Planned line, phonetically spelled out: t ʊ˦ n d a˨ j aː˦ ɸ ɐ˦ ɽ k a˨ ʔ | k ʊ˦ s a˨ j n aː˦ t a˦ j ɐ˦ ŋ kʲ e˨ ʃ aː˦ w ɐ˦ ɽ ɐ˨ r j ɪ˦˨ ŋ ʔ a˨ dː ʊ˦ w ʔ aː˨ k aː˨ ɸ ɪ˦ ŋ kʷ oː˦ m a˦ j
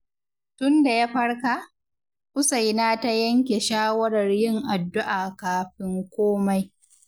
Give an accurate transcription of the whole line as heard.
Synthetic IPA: t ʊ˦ n d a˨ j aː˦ ɸ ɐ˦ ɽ k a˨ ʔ | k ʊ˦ s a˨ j n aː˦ t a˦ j ɐ˦ ŋ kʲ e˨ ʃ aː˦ w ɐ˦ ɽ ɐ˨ r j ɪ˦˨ ŋ ʔ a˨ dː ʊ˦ ʔ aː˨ k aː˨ ɸ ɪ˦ ŋ kʷ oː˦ m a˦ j